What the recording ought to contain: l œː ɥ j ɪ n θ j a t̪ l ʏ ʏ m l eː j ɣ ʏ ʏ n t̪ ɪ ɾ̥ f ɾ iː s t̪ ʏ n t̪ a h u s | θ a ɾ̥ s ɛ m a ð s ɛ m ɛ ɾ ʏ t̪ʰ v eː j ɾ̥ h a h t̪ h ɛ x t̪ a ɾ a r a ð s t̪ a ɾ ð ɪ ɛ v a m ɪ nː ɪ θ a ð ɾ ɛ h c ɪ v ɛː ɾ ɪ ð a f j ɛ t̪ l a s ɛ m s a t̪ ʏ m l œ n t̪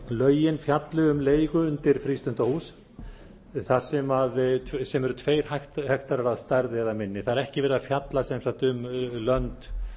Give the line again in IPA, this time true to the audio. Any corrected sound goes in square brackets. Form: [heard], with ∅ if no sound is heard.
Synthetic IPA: l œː ɥ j ɪ n [f] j a t̪ l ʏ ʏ m l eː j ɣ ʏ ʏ n t̪ ɪ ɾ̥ f ɾ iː s t̪ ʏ n t̪ a h u s | θ a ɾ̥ s ɛ m a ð s ɛ m ɛ ɾ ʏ t̪ʰ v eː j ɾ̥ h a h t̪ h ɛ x t̪ a ɾ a [ɾ] a ð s t̪ a ɾ ð ɪ ɛ [ð] a m ɪ nː ɪ θ a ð ɾ ɛ h c ɪ v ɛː ɾ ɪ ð a f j [a] t̪ l a s ɛ m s a t̪ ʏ m l œ n t̪